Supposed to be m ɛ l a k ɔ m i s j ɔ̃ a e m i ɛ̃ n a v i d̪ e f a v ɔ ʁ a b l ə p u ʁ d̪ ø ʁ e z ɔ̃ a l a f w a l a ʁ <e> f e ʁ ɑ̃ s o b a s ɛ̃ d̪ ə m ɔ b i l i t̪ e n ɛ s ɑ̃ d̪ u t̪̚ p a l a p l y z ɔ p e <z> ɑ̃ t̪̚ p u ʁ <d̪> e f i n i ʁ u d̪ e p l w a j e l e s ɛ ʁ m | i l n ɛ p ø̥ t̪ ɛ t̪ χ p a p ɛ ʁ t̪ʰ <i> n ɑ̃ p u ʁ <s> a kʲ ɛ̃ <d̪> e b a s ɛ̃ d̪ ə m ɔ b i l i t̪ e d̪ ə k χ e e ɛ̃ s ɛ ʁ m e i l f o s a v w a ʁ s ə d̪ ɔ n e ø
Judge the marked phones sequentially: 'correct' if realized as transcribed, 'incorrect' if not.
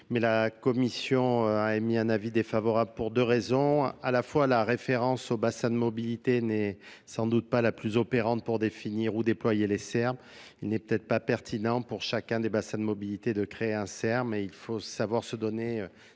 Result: correct, incorrect, correct, correct, incorrect, correct

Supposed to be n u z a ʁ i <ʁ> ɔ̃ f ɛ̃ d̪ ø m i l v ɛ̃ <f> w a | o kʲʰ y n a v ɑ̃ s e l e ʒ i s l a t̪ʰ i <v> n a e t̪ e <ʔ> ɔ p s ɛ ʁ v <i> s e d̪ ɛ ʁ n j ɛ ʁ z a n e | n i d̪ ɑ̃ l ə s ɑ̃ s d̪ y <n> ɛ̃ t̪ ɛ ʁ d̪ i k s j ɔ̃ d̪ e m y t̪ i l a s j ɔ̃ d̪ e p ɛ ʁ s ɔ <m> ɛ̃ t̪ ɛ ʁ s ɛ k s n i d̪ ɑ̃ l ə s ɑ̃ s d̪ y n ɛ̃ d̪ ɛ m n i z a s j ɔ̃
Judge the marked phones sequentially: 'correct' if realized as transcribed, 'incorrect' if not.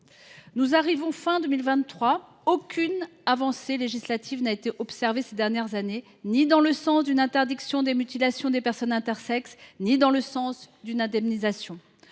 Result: incorrect, incorrect, correct, correct, incorrect, correct, incorrect

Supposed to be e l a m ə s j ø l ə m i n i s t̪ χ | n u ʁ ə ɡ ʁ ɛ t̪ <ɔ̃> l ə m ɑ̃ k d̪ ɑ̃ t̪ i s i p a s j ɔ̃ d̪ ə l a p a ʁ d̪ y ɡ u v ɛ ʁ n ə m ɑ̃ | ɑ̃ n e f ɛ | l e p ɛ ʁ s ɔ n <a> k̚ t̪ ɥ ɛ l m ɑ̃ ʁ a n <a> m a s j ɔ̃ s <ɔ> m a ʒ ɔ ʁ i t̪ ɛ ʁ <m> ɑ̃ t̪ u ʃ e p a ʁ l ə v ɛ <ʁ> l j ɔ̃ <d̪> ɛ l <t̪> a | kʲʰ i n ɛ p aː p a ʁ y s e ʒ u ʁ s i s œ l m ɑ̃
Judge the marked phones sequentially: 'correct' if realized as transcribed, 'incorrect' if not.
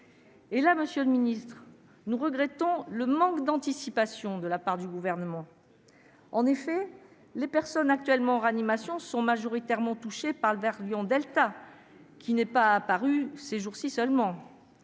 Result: correct, correct, incorrect, incorrect, correct, correct, correct, correct

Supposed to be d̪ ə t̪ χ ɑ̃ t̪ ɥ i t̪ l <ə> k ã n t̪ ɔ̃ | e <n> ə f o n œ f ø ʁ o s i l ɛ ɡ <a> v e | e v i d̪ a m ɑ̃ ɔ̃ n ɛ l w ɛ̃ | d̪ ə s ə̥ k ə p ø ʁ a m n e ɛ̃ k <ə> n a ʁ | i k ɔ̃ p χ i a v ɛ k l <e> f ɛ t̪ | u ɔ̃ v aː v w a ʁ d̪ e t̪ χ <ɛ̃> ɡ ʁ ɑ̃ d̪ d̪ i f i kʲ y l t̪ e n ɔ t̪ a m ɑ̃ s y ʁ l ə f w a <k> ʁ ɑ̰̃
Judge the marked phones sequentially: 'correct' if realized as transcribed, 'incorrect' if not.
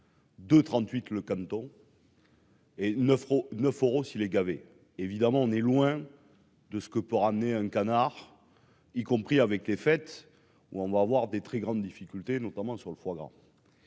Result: correct, correct, correct, incorrect, correct, incorrect, incorrect

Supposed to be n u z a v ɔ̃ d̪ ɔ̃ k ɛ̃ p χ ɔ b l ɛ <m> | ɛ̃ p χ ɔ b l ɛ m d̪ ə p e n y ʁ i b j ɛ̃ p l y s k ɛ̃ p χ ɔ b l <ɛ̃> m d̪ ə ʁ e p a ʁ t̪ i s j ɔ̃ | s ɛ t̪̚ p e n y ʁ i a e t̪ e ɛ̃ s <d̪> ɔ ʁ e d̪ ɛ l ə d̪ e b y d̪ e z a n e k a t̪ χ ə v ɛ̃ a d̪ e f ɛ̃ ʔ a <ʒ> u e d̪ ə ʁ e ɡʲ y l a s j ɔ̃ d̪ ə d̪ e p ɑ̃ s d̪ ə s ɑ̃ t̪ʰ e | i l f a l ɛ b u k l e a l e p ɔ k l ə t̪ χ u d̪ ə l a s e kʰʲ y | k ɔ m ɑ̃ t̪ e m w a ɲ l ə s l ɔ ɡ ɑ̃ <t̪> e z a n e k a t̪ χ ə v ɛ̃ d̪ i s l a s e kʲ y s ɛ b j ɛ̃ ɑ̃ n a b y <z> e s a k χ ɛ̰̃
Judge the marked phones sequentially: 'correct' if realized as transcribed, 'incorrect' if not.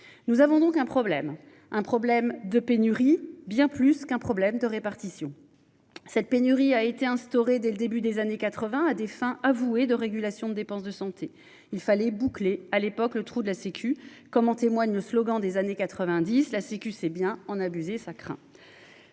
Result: correct, incorrect, incorrect, incorrect, incorrect, correct

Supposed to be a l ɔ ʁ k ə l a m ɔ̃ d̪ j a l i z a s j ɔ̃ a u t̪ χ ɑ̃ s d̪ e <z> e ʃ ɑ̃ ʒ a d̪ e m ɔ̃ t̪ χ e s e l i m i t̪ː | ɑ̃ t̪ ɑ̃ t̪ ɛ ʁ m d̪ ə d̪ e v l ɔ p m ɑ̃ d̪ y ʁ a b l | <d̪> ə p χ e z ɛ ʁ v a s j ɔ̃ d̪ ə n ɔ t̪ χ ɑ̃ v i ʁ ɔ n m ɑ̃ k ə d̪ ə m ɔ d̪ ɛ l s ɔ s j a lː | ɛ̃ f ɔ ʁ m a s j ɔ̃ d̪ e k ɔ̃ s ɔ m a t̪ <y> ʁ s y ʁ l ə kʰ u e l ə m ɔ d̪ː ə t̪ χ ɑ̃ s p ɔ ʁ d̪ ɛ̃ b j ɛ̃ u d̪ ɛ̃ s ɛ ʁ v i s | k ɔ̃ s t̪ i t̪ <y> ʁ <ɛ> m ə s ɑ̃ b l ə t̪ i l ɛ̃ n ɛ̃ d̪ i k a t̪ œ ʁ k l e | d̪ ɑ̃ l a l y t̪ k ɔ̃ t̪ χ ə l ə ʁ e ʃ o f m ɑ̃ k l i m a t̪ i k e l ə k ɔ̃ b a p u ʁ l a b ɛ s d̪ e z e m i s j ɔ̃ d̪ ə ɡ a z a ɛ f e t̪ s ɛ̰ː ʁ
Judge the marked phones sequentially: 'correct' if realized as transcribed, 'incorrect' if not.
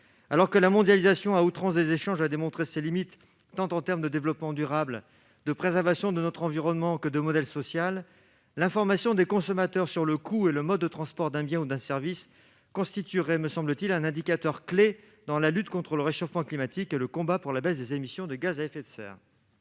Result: correct, correct, incorrect, correct, correct

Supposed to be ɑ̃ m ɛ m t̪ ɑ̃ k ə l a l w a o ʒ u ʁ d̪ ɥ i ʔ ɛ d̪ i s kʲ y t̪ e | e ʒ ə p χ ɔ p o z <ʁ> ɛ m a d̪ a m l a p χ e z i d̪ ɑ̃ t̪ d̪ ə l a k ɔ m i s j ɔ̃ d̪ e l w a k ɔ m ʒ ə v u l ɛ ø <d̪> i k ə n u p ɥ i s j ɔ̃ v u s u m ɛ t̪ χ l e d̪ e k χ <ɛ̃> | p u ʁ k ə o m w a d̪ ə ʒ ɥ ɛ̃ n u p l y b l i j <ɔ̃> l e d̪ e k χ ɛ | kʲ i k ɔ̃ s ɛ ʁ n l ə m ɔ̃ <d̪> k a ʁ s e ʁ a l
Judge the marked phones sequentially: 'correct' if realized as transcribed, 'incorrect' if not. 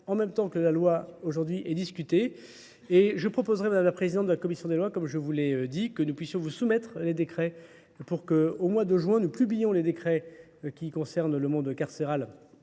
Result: correct, correct, incorrect, correct, correct

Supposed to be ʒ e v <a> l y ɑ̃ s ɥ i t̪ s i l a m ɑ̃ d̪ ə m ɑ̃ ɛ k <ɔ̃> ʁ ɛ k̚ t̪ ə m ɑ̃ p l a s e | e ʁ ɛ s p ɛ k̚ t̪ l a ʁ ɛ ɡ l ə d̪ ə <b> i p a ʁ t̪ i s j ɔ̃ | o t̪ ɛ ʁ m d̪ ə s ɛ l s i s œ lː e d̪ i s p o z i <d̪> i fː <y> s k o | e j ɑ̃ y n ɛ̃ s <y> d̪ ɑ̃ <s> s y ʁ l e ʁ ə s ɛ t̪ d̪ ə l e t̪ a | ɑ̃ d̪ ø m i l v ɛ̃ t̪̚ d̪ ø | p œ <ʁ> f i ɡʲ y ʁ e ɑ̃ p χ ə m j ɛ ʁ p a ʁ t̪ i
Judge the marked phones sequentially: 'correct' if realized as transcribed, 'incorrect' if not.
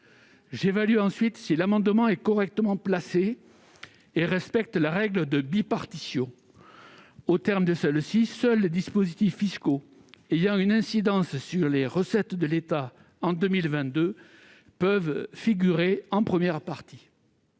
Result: correct, incorrect, correct, incorrect, incorrect, incorrect, correct, incorrect

